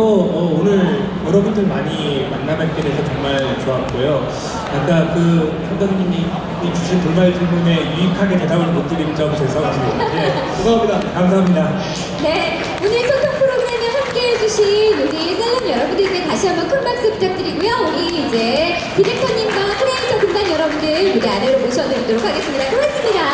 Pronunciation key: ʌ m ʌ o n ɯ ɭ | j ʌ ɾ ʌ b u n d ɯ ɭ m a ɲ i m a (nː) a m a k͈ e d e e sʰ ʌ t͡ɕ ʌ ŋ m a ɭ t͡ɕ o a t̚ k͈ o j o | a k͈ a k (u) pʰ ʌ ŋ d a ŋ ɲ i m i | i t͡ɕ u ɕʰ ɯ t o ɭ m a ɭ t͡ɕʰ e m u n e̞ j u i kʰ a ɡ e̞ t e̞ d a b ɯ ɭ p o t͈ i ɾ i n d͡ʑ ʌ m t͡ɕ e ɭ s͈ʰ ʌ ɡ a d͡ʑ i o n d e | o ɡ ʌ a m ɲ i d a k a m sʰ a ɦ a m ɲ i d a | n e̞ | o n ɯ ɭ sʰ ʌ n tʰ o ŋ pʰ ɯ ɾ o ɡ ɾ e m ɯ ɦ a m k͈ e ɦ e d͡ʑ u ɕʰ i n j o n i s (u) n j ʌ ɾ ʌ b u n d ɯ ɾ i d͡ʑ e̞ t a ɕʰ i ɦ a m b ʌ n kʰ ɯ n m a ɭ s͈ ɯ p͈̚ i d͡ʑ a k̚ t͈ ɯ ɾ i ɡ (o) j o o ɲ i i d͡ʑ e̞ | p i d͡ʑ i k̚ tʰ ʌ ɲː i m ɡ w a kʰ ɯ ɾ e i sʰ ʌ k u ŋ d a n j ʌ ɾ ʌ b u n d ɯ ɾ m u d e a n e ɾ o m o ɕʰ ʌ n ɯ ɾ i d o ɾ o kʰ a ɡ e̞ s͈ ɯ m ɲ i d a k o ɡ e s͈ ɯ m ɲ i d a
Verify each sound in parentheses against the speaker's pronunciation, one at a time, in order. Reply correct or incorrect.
correct, incorrect, incorrect, incorrect

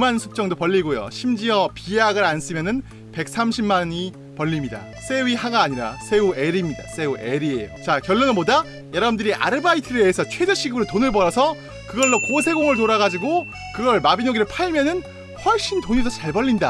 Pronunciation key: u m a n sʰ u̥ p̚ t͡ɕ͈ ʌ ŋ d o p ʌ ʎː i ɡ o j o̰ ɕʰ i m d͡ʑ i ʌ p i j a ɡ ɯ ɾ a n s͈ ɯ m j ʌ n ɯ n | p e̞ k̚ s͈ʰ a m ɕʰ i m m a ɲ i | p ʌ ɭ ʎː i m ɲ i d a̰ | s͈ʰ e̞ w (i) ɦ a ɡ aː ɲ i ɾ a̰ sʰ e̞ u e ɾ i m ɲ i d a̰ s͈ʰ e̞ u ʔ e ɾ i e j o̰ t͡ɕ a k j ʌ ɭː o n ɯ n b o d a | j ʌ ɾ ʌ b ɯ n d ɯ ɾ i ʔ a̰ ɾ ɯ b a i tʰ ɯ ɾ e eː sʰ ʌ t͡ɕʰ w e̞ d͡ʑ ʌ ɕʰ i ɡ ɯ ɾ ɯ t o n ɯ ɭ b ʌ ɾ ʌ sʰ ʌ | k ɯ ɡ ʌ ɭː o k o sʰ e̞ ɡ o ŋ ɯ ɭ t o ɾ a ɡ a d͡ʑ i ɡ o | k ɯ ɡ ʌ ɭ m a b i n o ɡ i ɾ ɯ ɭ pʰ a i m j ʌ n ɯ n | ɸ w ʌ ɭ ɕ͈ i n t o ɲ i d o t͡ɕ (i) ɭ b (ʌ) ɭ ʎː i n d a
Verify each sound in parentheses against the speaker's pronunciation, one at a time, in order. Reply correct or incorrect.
correct, incorrect, correct

